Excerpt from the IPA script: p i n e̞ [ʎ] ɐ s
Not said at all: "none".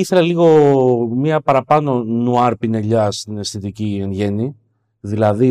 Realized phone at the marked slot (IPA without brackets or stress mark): ʎ